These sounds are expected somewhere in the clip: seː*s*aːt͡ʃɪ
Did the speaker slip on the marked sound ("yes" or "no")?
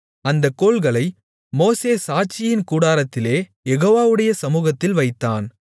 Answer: no